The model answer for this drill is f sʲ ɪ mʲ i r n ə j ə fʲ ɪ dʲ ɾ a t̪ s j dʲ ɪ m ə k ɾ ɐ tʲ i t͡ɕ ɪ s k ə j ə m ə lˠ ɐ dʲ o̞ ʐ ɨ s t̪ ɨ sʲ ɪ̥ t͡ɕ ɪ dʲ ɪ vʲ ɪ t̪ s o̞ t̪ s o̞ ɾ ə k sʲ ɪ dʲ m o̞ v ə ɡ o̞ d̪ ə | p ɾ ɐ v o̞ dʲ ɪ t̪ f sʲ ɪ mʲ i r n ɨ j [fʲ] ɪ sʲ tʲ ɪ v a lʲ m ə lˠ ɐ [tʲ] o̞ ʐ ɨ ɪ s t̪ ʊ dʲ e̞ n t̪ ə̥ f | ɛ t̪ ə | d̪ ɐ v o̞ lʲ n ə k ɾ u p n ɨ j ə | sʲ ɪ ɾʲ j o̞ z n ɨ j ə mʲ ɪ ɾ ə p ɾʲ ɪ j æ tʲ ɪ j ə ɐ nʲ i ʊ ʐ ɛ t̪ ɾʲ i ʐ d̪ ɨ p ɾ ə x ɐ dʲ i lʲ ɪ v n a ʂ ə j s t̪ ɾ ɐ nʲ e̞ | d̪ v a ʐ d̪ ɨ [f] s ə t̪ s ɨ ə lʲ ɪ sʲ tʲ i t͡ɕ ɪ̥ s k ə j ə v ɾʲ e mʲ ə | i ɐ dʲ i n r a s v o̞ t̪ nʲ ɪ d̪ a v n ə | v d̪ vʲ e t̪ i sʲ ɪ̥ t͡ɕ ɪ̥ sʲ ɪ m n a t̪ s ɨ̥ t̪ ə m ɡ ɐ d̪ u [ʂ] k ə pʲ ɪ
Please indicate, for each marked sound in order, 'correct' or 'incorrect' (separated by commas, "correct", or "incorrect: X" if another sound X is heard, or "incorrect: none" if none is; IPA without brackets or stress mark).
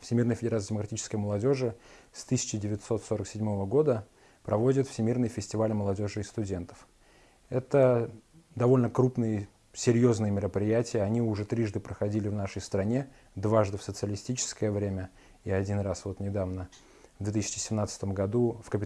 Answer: correct, incorrect: dʲ, correct, incorrect: f